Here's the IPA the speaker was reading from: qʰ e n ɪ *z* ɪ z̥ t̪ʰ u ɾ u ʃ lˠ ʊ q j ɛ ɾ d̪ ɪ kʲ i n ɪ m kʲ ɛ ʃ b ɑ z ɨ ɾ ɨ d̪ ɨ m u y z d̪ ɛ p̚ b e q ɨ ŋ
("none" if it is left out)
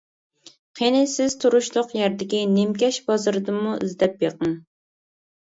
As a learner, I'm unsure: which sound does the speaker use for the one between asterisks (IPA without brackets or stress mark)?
s